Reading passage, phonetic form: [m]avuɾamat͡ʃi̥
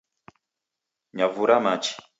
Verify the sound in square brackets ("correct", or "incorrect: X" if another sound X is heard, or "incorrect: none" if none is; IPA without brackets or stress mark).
incorrect: ɲ